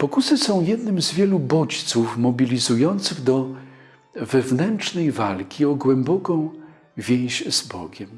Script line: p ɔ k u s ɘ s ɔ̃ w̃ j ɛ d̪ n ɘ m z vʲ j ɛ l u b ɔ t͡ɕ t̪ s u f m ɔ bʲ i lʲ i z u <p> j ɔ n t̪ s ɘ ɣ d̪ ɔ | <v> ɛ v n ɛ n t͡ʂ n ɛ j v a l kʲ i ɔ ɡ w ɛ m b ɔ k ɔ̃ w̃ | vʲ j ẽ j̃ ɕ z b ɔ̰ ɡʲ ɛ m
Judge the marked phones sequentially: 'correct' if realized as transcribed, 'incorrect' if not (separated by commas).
incorrect, correct